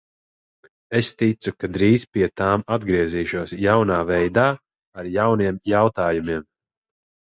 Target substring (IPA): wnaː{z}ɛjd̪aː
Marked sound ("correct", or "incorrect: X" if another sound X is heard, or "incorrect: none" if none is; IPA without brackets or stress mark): incorrect: v